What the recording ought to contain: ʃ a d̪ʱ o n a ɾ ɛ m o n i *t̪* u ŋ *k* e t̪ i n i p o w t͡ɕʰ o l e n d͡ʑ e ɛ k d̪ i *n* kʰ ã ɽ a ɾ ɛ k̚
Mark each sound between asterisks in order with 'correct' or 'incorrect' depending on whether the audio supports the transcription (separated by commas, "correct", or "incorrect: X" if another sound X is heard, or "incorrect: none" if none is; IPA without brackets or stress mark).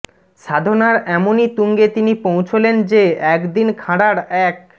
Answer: correct, incorrect: ɡ, correct